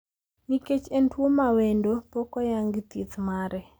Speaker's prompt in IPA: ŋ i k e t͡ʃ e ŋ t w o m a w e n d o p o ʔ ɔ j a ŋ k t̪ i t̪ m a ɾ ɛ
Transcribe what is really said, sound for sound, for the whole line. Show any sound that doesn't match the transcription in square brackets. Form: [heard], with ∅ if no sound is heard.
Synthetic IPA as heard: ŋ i k e t͡ʃ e [n] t w o m a w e n d o p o [k] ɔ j a ŋ [ɡ] t̪ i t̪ m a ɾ ɛ